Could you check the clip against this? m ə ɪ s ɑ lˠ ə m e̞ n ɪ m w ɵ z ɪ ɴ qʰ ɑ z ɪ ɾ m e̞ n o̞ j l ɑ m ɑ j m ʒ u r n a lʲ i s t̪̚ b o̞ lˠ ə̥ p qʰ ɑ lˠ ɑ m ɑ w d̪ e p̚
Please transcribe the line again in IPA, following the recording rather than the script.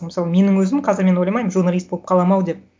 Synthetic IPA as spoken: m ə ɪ s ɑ lˠ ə m e̞ n ɪ ŋ w ɵ z ɪ m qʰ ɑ z ɪ ɾ m e̞ n o̞ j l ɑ m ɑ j m ʒ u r n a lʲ i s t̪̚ b o̞ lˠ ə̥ p qʰ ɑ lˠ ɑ m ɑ w d̪ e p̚